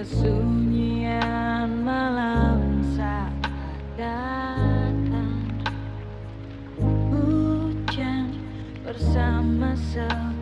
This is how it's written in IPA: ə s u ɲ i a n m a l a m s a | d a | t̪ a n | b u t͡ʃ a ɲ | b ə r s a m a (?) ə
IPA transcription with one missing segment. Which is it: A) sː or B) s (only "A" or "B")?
B